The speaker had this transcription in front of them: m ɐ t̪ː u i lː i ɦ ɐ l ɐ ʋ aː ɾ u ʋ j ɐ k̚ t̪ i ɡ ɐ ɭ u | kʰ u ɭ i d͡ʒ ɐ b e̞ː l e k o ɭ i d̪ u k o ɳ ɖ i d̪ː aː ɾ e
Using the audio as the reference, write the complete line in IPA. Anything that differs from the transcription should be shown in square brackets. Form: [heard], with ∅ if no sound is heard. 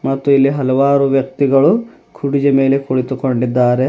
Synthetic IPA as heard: m ɐ t̪ː u i lː i ɦ ɐ l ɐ ʋ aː ɾ u ʋ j ɐ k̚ t̪ i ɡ ɐ ɭ u | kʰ u [ɽ] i d͡ʒ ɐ [m] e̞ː l e k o ɭ i [t̪] u k o ɳ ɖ i d̪ː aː ɾ e